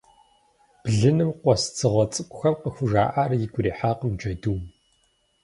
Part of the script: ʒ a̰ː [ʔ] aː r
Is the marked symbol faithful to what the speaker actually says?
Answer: yes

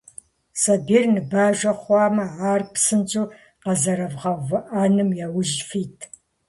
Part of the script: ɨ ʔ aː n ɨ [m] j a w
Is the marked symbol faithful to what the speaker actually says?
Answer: yes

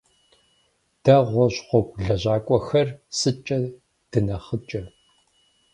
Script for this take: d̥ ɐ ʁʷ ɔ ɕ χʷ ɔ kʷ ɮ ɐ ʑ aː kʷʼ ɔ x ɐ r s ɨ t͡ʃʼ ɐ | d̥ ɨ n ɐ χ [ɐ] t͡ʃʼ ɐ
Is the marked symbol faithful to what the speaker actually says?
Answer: no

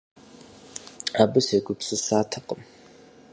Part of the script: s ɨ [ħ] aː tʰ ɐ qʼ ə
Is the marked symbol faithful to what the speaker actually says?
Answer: no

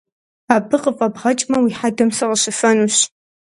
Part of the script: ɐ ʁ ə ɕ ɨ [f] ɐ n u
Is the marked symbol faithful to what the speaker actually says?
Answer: yes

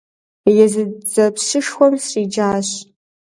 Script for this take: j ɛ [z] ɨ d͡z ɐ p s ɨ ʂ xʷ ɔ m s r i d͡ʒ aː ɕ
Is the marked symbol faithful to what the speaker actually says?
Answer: yes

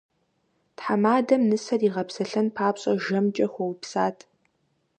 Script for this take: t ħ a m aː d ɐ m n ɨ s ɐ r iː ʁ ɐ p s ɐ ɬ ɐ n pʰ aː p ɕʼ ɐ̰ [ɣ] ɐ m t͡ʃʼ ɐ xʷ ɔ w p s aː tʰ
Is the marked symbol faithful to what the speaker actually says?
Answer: no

